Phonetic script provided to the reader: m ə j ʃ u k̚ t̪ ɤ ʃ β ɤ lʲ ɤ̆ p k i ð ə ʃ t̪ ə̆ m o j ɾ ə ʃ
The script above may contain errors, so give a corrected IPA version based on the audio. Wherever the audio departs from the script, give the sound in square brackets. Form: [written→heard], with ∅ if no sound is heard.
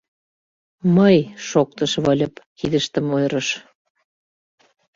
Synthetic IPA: m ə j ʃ [u→o] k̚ t̪ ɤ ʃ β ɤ lʲ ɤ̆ p k i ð ə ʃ t̪ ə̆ m o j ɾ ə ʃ